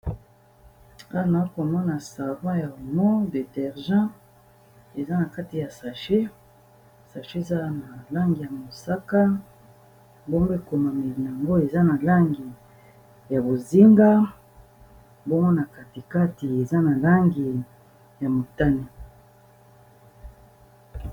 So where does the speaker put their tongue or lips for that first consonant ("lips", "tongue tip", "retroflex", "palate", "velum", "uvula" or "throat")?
tongue tip